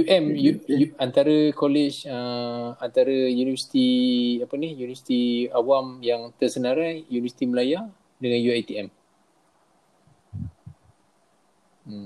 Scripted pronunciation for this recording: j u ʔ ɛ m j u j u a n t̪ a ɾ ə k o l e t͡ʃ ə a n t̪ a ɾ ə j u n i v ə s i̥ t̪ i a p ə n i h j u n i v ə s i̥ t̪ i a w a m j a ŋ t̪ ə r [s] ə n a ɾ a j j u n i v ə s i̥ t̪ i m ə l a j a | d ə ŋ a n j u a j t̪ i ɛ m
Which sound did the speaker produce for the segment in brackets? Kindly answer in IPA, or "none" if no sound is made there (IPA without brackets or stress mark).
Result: s